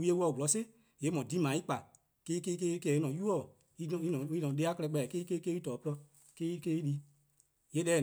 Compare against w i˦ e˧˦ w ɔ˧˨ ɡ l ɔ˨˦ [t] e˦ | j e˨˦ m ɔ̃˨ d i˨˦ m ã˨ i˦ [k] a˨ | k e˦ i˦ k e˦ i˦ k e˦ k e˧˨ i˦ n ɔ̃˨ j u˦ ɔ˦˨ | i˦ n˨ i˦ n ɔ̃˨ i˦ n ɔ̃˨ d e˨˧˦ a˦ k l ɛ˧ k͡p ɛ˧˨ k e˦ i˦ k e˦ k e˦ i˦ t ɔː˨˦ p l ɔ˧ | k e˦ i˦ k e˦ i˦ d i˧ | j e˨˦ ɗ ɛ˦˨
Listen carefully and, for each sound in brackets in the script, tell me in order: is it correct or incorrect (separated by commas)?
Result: incorrect, incorrect